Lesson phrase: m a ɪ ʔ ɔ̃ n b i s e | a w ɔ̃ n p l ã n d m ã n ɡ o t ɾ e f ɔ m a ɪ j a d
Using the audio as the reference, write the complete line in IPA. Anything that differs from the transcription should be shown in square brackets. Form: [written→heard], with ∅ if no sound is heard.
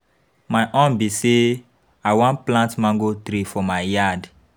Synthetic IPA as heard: m a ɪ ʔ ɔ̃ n b i s e | a w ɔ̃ n p l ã n [d→t] m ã [n→ŋ] ɡ o t ɾ [e→i] f ɔ m a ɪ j a d